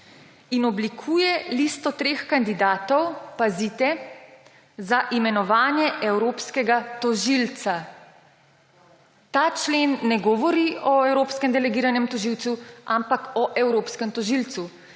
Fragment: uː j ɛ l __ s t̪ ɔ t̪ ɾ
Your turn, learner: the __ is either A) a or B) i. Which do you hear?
B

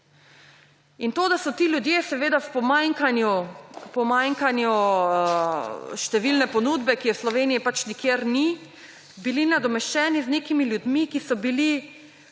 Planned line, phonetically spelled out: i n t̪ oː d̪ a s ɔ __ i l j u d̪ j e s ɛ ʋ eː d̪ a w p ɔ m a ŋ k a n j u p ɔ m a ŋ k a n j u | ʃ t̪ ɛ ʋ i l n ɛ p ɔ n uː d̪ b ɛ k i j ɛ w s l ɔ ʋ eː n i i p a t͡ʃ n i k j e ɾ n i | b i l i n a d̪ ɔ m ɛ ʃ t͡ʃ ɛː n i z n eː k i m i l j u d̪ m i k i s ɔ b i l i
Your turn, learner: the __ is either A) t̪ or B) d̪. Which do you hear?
A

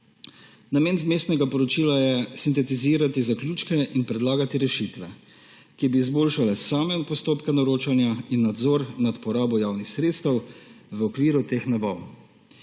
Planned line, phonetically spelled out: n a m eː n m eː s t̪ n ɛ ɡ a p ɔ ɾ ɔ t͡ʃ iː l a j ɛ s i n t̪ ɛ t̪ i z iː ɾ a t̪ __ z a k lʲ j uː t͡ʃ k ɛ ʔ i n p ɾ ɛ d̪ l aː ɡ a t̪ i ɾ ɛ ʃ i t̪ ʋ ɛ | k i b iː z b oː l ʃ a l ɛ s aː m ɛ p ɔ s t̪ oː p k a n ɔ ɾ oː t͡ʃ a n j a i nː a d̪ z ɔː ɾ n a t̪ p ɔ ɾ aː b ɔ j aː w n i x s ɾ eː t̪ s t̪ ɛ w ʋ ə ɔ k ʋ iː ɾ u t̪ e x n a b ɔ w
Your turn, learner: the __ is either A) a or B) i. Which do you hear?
B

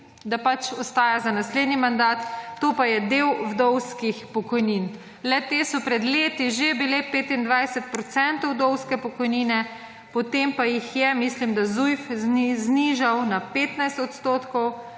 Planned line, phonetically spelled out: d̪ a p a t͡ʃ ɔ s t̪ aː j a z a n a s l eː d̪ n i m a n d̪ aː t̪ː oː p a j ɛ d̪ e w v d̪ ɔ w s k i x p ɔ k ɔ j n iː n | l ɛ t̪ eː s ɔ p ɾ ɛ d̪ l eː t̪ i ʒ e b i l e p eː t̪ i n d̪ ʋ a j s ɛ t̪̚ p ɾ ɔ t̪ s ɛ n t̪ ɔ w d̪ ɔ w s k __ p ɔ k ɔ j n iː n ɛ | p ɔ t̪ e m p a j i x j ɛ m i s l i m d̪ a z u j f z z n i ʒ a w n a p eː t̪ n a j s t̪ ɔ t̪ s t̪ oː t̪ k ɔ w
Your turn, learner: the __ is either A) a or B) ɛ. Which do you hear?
B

